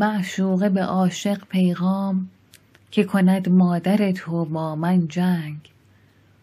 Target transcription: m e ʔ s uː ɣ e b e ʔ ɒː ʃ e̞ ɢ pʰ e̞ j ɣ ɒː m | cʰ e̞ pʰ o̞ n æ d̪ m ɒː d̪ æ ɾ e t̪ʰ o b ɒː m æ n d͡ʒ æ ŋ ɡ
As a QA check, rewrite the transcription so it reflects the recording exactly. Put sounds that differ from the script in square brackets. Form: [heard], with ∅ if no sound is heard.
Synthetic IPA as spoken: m [æ] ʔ [ʃ] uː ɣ e b e ʔ ɒː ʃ e̞ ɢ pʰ e̞ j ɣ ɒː m | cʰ e̞ [kʰ] o̞ n æ d̪ m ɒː d̪ æ ɾ e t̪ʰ o b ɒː m æ n d͡ʒ æ ŋ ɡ